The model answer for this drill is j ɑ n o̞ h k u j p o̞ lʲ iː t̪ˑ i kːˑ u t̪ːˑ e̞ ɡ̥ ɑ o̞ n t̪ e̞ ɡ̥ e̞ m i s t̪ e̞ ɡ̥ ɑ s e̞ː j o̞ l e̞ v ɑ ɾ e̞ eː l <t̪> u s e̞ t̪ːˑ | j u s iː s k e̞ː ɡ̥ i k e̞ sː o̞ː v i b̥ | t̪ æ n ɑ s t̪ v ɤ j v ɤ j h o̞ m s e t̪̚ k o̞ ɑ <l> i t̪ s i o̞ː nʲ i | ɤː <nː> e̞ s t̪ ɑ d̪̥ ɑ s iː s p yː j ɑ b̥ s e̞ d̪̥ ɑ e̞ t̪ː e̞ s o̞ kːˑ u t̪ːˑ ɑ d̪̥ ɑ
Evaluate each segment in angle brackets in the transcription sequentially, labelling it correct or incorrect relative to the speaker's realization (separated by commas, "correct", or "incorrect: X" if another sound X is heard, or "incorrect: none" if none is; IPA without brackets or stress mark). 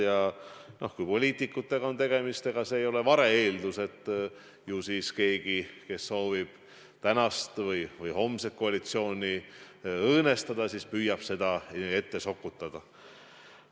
incorrect: d̪, correct, incorrect: n